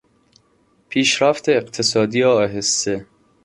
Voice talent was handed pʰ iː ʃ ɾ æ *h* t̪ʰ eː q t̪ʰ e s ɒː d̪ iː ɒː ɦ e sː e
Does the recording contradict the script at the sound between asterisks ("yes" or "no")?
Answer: yes